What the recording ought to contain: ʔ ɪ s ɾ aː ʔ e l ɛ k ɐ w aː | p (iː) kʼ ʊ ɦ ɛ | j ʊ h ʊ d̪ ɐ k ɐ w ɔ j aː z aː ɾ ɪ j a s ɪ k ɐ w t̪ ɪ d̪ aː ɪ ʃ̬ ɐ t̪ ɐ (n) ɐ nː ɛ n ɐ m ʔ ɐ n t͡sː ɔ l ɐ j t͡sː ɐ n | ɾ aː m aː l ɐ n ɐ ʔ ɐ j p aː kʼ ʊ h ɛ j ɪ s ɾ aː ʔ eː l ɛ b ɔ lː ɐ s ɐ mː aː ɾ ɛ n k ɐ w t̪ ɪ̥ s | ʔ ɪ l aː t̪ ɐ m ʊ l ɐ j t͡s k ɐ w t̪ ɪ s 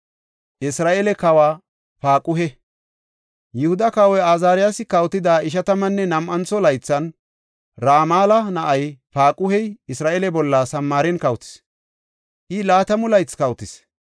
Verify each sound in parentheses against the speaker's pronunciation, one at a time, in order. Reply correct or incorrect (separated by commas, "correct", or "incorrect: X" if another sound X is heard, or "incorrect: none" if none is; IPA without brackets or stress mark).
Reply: incorrect: aː, incorrect: m